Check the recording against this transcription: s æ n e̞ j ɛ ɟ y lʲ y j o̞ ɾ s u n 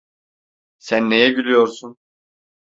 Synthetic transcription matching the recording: s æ nː e̞ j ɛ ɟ y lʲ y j o̞ ɾ s u n

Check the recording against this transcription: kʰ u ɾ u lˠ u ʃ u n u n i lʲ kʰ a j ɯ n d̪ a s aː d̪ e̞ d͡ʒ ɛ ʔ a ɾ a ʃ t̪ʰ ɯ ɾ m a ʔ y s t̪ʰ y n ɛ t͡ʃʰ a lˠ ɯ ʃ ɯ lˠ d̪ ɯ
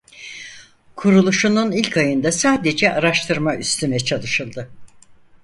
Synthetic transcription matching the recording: kʰ u ɾ u lˠ u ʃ u n u n i lʲ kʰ a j ɯ n d̪ a s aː d̪ e̞ d͡ʒ ɛ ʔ a ɾ a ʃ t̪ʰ ɯ ɾ m a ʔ y s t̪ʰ y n ɛ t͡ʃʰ a lˠ ɯ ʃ ɯ lˠ d̪ ɯ

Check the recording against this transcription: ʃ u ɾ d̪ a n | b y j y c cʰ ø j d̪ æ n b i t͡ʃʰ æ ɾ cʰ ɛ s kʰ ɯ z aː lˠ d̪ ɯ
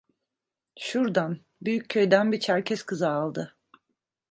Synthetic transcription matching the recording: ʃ u ɾ d̪ a n | b y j y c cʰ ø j d̪ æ n b i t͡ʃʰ æ ɾ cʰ ɛ s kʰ ɯ z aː lˠ d̪ ɯ

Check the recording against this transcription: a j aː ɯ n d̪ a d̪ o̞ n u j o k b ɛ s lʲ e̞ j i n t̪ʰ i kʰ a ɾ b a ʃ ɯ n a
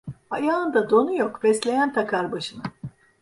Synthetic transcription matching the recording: a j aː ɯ n d̪ a d̪ o̞ n u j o k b ɛ s lʲ e̞ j æ n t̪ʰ a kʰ a ɾ b a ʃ ɯ n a

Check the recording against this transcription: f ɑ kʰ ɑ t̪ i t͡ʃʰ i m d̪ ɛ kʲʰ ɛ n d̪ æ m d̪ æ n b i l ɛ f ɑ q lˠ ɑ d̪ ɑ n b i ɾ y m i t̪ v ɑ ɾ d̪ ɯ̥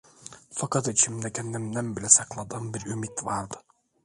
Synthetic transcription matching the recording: f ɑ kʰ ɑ t̪ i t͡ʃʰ i m d̪ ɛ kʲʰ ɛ n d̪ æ m d̪ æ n b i l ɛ s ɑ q lˠ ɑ d̪ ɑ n b i ɾ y m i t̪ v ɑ ɾ d̪ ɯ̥

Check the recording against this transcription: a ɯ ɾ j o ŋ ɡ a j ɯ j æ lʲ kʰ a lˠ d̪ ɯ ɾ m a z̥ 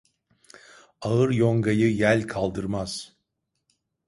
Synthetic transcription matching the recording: a ɯ ɾ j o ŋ ɡ a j ɯ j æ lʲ kʰ a lˠ d̪ ɯ ɾ m a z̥

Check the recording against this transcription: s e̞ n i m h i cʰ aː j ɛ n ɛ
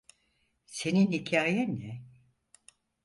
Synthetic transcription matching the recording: s e̞ n i n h i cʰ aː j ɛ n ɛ

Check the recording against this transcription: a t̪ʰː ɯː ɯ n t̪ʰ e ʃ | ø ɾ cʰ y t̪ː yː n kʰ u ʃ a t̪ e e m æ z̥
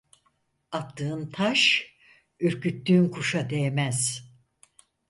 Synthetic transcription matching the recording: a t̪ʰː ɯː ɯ n t̪ʰ a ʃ | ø ɾ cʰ y t̪ː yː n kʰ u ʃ a d̪ e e m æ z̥

